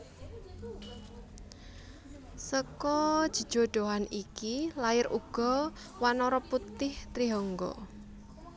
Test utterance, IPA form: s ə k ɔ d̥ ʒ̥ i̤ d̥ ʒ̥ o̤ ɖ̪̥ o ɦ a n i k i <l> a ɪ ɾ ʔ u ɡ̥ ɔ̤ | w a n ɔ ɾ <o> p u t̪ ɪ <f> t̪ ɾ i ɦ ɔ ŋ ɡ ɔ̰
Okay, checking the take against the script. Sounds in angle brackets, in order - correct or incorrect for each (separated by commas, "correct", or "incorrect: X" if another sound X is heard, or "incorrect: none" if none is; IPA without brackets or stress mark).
correct, incorrect: ɔ, incorrect: h